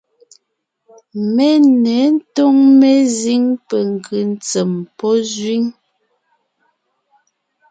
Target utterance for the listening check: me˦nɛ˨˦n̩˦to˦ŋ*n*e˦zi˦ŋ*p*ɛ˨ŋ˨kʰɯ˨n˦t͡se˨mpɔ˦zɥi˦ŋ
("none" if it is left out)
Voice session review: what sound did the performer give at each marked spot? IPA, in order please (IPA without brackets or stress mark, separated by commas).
m, p